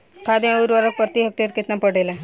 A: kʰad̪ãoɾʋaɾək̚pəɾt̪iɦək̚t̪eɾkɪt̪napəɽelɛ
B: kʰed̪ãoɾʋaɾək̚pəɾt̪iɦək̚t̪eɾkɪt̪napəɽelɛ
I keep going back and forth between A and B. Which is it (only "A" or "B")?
A